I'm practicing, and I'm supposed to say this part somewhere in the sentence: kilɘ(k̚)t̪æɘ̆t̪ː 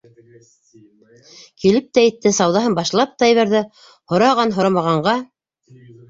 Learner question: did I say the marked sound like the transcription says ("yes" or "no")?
no